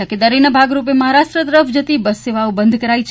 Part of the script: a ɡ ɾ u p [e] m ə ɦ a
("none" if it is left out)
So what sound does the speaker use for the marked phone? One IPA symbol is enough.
e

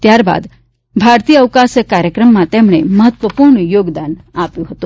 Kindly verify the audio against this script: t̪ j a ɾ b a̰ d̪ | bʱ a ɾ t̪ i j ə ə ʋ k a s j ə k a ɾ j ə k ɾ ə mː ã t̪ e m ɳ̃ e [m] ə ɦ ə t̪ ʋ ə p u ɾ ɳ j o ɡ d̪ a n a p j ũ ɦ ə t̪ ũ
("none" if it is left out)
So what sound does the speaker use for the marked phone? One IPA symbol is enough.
m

